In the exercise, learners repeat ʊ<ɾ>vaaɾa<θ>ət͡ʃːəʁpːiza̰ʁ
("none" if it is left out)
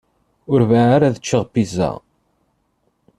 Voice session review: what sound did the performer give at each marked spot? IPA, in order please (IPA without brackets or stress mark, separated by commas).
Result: ɾ, ð